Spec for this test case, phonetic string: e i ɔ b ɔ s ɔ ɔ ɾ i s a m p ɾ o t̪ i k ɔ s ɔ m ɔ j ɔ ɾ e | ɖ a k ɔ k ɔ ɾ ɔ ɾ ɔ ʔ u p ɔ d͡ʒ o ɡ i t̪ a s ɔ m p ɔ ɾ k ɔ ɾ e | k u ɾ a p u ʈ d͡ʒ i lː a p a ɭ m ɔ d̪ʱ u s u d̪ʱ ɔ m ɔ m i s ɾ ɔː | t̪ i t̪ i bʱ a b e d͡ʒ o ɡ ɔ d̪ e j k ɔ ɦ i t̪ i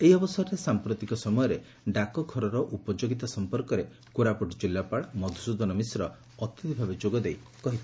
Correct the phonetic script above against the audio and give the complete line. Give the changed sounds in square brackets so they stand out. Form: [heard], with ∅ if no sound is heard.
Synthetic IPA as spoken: e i ɔ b ɔ s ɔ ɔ ɾ [e] s a m p ɾ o t̪ i k ɔ s ɔ m ɔ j ɔ ɾ e | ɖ a k ɔ [kʰ] ɔ ɾ ɔ ɾ ɔ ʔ u p ɔ d͡ʒ o ɡ i t̪ a s ɔ m p ɔ ɾ k ɔ ɾ e | k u ɾ a p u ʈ d͡ʒ i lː a p a ɭ m ɔ d̪ʱ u s u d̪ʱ ɔ [n] ɔ m i s ɾ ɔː | t̪ i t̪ i bʱ a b e d͡ʒ o ɡ ɔ d̪ e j k ɔ ɦ i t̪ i